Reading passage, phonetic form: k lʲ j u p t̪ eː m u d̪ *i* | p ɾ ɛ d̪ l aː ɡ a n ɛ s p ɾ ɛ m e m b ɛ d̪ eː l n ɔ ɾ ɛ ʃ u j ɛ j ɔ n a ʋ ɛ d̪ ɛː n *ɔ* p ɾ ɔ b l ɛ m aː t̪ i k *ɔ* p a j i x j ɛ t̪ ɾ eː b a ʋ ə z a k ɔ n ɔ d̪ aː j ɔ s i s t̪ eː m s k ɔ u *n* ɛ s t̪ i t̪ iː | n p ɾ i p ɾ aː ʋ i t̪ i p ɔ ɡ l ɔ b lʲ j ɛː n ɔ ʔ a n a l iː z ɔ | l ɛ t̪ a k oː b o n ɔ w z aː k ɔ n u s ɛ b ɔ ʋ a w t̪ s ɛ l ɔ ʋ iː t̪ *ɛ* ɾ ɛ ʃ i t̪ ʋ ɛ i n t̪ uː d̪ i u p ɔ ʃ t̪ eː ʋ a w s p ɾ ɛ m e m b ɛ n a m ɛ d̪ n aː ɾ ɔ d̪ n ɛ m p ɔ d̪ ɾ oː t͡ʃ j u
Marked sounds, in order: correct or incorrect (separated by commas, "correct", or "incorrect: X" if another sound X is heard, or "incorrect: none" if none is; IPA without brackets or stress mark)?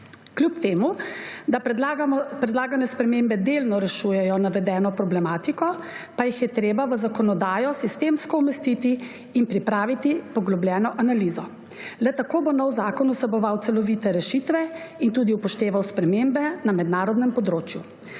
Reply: incorrect: a, correct, correct, incorrect: m, correct